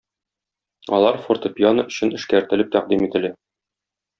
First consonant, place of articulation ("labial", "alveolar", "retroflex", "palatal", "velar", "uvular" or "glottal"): alveolar